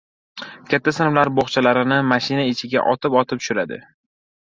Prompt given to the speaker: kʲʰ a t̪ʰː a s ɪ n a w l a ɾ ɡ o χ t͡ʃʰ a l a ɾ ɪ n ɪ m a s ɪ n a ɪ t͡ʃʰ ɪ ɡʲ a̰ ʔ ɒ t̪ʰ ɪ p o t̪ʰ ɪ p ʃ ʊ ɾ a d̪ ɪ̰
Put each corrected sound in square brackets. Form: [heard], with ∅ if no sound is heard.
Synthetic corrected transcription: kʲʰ a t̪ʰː a s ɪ n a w l a ɾ [b] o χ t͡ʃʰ a l a ɾ ɪ n ɪ m a [ʃ] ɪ n a ɪ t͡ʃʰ ɪ ɡʲ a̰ ʔ ɒ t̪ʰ ɪ p [ɒ] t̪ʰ ɪ p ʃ ʊ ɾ a d̪ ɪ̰